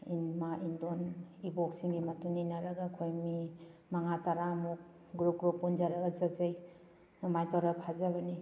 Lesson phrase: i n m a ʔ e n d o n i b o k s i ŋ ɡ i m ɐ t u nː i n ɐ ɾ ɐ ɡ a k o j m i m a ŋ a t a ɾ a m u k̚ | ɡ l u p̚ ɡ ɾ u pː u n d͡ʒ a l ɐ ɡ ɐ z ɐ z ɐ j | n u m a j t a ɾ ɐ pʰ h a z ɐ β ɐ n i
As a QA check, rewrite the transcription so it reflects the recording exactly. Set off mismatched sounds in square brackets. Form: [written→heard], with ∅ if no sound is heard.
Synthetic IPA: i n m a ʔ [e→i] n d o n i b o k s i ŋ ɡ i m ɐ t u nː i n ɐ ɾ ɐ ɡ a [k→kʰ] o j m i m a ŋ a t a ɾ a m u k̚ | ɡ [l→ɾ] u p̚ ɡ ɾ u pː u n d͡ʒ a [l→ɾ] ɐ ɡ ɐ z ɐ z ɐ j | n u m a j t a ɾ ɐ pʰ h a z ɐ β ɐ n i